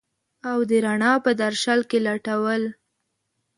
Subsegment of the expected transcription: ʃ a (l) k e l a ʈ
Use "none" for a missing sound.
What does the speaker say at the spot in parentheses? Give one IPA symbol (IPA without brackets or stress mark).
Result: l